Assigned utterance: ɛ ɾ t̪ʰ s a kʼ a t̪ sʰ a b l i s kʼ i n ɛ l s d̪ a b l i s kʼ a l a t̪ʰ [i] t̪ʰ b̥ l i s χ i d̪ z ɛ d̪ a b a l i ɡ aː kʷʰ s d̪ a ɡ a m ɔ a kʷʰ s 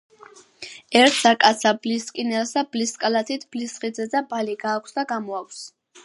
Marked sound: correct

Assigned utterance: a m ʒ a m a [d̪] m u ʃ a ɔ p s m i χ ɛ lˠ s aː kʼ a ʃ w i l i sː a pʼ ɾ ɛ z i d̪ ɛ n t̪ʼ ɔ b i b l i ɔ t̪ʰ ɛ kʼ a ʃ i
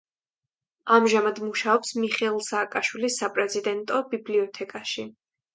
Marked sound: correct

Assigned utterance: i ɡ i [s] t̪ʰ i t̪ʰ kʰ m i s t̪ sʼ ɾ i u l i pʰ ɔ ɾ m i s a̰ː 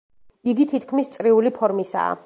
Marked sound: incorrect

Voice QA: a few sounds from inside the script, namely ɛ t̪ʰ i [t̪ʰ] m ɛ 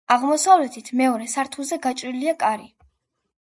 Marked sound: correct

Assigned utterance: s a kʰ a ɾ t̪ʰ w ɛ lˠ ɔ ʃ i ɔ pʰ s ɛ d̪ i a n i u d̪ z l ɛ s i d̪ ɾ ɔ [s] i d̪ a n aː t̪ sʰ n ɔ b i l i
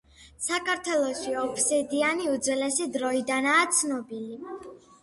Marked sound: incorrect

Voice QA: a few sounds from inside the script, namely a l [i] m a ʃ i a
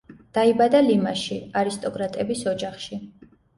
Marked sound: correct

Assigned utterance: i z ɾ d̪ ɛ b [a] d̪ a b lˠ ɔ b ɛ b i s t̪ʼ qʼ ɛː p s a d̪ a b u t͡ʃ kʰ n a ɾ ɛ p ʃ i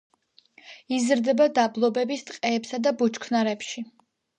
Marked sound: correct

